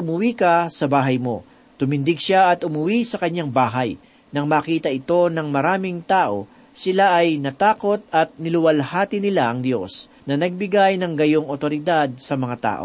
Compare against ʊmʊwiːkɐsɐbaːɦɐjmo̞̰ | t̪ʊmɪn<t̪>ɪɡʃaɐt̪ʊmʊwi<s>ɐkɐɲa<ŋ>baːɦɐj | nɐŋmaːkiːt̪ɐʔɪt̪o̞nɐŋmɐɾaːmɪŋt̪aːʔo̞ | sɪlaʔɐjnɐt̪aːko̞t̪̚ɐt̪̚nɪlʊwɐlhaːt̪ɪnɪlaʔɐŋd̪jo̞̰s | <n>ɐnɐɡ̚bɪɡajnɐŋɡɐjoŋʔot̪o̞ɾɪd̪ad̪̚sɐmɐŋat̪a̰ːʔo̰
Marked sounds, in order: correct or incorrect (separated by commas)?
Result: incorrect, correct, correct, correct